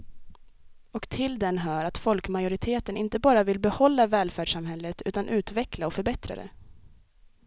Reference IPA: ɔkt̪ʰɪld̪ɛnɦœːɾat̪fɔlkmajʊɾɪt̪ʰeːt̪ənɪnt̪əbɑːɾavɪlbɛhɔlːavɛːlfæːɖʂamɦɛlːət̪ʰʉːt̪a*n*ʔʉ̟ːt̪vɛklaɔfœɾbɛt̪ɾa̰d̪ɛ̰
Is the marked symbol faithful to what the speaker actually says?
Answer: yes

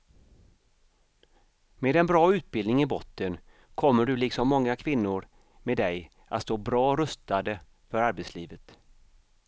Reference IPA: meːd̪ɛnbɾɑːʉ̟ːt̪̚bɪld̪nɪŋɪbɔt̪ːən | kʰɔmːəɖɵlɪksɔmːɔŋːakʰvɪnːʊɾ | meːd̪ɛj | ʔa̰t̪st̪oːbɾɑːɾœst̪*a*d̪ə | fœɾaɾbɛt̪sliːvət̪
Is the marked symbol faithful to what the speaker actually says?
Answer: yes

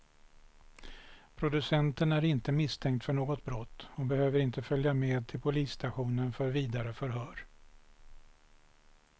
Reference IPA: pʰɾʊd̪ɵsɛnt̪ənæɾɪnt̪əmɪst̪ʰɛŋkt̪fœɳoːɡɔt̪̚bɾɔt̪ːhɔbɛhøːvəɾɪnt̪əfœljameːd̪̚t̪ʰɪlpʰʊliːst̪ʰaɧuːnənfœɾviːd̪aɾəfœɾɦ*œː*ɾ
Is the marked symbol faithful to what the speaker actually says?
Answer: yes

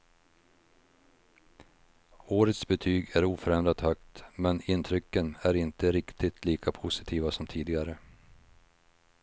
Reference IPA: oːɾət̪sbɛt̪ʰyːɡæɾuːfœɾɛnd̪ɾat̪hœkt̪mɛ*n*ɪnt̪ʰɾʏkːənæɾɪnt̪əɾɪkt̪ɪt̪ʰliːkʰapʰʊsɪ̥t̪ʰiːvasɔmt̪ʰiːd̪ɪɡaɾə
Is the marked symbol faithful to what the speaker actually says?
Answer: yes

